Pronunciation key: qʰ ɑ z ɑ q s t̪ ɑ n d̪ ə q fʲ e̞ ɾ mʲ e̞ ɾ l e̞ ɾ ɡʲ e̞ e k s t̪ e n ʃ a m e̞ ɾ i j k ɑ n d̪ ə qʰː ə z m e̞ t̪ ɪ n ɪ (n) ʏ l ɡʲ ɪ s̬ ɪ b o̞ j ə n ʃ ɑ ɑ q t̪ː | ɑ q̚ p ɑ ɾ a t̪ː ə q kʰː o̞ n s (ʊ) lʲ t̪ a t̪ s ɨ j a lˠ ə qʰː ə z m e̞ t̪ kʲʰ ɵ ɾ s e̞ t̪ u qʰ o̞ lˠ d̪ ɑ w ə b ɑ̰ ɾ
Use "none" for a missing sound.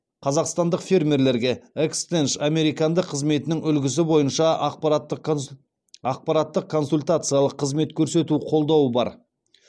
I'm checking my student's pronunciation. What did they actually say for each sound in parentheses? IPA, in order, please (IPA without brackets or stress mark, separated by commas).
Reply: ŋ, u